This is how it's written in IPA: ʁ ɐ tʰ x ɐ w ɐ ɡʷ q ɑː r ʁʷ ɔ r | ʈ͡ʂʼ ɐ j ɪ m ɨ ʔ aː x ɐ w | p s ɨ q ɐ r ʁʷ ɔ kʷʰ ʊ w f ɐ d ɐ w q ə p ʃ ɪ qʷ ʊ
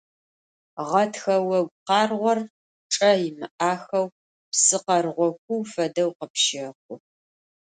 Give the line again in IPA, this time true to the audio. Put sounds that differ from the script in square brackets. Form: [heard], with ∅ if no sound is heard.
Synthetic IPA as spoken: ʁ ɐ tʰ x ɐ w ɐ ɡʷ q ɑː r ʁʷ ɔ r | ʈ͡ʂʼ ɐ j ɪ m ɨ ʔ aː x ɐ w | p s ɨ q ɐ r ʁʷ ɔ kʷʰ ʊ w f ɐ d ɐ w q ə p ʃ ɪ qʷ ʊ